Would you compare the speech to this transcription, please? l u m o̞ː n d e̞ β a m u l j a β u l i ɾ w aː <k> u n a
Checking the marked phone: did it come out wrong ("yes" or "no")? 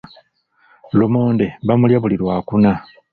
no